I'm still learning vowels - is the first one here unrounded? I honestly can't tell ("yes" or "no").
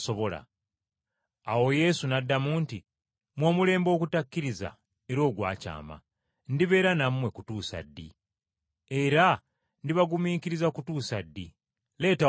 no